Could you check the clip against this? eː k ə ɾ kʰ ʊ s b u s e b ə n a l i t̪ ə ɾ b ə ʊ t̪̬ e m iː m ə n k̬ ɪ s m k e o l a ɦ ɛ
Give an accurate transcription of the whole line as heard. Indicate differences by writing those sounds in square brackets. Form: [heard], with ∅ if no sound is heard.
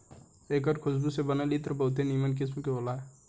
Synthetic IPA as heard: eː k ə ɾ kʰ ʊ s b u s e b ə n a l i t̪ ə ɾ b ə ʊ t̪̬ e [n] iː m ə n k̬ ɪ s m k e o l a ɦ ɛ